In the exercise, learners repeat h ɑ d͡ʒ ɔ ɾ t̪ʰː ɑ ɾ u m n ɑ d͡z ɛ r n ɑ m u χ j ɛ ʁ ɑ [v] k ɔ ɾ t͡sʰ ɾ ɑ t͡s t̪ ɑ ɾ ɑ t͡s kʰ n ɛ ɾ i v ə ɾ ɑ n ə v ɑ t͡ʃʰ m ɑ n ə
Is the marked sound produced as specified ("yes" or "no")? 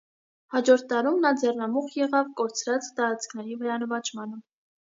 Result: yes